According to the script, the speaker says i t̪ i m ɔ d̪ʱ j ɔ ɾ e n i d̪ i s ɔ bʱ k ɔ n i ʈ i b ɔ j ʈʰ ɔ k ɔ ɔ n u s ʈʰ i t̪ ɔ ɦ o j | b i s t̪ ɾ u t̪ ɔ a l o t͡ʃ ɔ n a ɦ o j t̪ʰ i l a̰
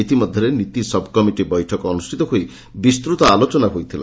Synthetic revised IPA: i t̪ i m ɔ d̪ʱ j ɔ ɾ e n i t̪ i s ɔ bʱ k ɔ m i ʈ i b ɔ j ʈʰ ɔ k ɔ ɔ n u s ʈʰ i t̪ ɔ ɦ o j | b i s t̪ ɾ u t̪ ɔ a l o t͡ʃ ɔ n a ɦ o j t̪ʰ i l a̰